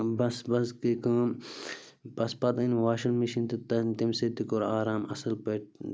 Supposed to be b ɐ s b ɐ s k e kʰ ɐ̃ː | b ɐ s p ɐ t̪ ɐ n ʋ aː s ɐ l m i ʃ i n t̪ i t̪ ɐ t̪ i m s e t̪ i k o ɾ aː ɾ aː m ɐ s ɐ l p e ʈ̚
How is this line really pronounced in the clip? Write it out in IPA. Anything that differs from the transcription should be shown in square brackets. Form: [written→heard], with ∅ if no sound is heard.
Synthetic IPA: b ɐ s b ɐ s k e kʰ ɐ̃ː | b ɐ s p ɐ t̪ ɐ n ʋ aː [s→ʃ] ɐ l m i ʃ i n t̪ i t̪ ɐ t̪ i m s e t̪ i k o ɾ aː ɾ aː m ɐ s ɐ l p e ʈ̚

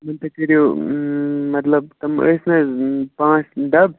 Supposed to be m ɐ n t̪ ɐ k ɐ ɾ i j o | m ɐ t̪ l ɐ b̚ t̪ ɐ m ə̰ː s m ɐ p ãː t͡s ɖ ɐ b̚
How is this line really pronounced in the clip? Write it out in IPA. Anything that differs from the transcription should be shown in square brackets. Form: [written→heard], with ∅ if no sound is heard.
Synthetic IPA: m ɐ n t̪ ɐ k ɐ ɾ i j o | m ɐ t̪ l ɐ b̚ t̪ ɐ m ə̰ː s [m→n] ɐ p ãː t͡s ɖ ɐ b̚

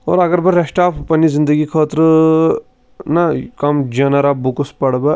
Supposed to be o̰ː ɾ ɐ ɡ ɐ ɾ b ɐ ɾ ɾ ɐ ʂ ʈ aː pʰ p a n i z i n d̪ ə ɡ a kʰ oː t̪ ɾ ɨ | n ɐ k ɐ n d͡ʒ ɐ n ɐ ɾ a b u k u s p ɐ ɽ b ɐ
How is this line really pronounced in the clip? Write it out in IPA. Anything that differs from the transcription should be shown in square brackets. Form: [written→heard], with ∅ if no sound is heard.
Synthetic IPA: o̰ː ɾ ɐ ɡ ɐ ɾ b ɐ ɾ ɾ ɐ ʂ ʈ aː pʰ p [a→ɐ] n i z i n d̪ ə ɡ [a→i] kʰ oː t̪ ɾ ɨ | n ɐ k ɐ [n→m] d͡ʒ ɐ n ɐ ɾ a b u k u s p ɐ ɽ b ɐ

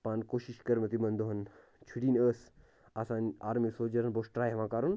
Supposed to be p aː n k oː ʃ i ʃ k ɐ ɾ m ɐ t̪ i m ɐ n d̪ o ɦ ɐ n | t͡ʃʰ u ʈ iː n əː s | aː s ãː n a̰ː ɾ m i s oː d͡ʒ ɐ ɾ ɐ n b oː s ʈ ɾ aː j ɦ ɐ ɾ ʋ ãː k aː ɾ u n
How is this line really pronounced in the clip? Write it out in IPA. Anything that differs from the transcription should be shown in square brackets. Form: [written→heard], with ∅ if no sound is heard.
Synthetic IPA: p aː n k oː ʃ i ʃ k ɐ ɾ m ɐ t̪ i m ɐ n d̪ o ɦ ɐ n | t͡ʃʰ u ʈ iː n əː s | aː s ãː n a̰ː ɾ m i s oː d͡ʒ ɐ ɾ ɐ n b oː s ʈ ɾ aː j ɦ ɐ [ɾ→∅] ʋ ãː k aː ɾ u n

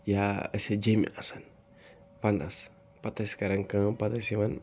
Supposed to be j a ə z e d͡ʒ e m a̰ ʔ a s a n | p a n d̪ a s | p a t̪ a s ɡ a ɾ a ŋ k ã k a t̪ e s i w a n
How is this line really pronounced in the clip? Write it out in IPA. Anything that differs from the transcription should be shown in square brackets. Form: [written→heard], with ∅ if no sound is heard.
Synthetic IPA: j a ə [z→s] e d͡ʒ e m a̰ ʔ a s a n | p a n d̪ a s | p a t̪ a s [ɡ→k] a ɾ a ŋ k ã [k→p] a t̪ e s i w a n

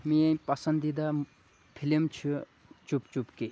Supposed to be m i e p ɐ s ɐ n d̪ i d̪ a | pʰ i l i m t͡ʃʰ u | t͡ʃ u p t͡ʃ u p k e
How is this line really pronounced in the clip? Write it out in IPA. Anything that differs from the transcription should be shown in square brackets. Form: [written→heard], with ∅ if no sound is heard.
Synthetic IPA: m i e p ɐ s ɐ n d̪ i d̪ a | pʰ i l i m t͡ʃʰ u | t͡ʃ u p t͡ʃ u p k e

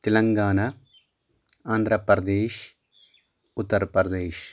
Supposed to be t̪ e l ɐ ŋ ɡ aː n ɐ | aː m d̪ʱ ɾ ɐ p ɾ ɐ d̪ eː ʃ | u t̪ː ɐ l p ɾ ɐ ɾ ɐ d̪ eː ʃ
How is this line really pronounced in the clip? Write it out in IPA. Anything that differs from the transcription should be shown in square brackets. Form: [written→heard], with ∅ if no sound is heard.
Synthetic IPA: t̪ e l ɐ ŋ ɡ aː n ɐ | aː [m→n] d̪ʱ ɾ ɐ p ɾ ɐ d̪ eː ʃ | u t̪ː ɐ [l→ɾ] p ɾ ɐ ɾ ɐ d̪ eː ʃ

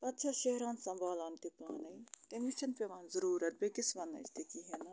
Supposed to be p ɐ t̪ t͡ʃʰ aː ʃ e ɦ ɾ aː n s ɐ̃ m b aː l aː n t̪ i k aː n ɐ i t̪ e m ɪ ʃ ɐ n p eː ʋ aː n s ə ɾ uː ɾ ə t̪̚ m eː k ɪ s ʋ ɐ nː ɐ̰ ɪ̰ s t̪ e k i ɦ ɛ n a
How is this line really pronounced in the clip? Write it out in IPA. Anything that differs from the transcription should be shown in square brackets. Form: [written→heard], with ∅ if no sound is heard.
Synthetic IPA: p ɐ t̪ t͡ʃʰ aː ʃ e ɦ ɾ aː n s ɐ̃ m b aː l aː n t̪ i [k→p] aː n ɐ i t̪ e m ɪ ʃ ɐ n p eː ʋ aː n [s→z] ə ɾ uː ɾ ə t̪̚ [m→b] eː k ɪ s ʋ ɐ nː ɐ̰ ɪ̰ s t̪ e k i ɦ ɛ n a

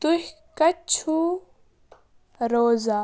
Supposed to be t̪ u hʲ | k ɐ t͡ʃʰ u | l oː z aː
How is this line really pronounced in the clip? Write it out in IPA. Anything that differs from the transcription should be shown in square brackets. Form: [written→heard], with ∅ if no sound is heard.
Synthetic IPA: t̪ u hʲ | k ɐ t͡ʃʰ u | [l→ɾ] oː z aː

